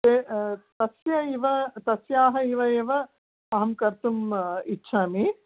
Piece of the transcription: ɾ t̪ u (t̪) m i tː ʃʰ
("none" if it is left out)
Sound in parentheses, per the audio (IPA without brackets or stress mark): none